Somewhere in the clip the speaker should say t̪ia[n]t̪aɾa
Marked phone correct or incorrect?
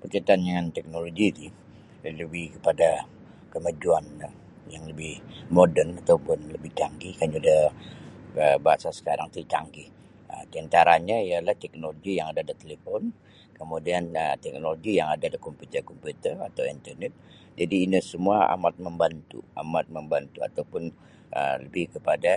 correct